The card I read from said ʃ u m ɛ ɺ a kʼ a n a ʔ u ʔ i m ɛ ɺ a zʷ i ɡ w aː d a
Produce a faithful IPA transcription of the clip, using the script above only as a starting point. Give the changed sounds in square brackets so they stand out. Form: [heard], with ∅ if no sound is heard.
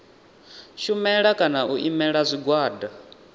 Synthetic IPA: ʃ u m ɛ ɺ a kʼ a n a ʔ u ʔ i m ɛ ɺ a zʷ i ɡ w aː d a